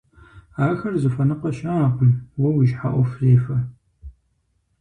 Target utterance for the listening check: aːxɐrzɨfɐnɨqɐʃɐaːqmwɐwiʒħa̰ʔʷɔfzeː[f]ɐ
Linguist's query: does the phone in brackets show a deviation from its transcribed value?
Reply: no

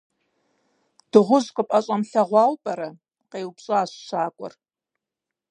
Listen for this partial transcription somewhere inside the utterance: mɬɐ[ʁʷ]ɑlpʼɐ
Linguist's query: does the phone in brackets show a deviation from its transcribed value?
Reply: no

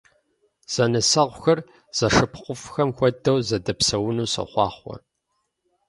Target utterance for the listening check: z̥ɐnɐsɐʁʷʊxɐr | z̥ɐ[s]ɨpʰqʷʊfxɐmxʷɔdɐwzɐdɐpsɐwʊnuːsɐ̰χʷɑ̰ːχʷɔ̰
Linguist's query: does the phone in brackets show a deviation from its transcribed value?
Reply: yes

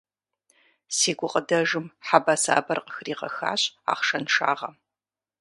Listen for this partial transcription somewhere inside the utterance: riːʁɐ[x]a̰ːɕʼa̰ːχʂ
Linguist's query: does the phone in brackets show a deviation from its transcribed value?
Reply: no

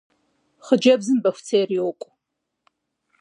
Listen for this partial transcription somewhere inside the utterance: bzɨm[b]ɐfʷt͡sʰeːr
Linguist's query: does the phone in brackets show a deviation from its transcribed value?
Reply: no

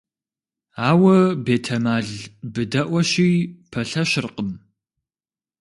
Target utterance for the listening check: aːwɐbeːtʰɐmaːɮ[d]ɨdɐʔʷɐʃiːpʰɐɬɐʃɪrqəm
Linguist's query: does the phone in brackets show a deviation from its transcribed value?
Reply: yes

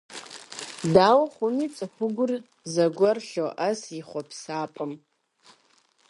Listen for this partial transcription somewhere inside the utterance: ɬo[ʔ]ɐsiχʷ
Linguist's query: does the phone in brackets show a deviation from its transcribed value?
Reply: no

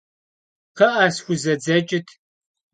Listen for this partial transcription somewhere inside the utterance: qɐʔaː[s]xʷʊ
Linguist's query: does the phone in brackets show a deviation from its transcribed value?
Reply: no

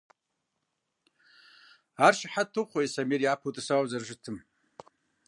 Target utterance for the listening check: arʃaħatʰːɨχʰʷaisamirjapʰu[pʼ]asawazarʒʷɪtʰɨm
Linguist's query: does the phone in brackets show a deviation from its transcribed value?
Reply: yes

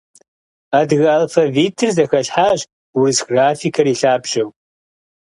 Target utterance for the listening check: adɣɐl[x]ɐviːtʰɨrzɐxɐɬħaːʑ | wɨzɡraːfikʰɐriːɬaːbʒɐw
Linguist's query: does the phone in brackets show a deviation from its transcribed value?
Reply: yes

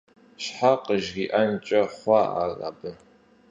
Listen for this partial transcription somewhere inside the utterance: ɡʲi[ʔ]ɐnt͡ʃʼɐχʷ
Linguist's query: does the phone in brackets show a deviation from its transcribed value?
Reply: no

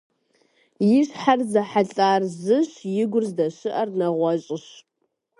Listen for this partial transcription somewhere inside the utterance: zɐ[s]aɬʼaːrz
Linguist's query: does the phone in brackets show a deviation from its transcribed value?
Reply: yes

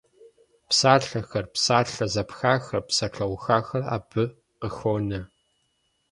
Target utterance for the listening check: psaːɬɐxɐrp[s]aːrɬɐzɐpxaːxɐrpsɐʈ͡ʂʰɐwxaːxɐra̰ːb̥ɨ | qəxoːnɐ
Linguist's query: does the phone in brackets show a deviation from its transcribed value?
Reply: no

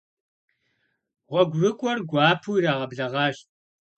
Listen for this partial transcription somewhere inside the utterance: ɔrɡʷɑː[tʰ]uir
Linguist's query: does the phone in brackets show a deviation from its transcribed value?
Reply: yes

